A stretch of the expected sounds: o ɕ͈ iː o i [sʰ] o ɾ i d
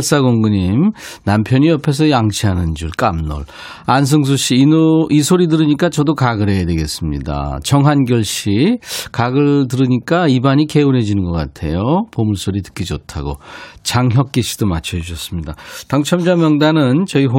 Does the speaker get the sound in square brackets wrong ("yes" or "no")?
no